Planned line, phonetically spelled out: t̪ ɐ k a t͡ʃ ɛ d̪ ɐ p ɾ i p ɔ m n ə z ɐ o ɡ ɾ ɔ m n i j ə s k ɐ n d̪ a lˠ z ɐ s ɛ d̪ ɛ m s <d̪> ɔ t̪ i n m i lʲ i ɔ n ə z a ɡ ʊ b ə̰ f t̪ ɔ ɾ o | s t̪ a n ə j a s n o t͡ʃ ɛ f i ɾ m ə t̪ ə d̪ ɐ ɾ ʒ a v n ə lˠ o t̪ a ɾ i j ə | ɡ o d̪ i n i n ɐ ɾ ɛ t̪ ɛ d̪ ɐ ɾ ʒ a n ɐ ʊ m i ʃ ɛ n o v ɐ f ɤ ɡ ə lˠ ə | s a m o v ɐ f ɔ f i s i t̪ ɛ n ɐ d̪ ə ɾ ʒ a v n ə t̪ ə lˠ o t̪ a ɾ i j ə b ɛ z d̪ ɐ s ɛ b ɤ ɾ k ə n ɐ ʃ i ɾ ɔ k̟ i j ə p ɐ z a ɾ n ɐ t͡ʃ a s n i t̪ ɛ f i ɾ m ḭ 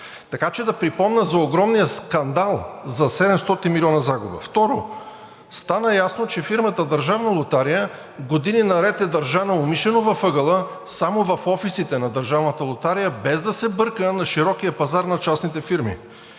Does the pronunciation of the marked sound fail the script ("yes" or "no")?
yes